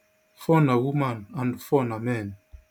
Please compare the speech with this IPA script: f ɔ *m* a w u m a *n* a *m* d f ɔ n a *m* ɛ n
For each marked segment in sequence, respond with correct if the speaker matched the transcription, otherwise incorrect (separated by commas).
incorrect, correct, incorrect, correct